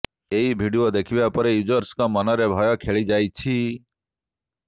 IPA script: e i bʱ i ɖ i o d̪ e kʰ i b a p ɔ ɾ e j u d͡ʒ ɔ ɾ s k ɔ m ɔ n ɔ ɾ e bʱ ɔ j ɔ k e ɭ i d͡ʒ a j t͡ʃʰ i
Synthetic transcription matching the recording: e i bʱ i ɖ i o d̪ e kʰ i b a p ɔ ɾ e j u d͡ʒ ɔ ɾ s k ɔ m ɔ n ɔ ɾ e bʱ ɔ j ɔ kʰ e ɭ i d͡ʒ a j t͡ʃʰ i